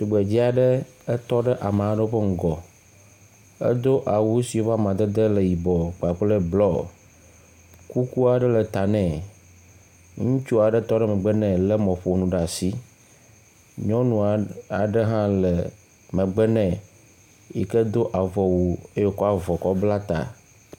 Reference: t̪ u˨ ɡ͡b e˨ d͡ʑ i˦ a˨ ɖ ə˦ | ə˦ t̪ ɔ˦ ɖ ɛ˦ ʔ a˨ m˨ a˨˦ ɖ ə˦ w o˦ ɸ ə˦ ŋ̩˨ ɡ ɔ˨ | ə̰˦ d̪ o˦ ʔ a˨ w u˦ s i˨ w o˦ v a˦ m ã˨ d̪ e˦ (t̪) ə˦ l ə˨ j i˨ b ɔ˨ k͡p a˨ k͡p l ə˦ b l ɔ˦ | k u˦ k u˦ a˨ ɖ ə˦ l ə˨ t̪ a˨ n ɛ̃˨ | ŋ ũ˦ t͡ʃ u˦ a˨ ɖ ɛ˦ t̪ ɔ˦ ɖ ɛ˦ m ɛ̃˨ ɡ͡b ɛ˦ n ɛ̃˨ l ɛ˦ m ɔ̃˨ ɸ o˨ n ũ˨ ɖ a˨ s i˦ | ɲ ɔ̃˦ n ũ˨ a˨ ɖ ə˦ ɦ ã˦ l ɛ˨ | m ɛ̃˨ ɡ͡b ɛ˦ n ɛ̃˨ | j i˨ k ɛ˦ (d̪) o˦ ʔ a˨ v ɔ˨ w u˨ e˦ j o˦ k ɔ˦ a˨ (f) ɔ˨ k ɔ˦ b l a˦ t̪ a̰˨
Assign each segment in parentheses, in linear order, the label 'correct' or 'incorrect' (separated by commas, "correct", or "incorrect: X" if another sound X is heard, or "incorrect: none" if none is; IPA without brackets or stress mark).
incorrect: d̪, correct, incorrect: v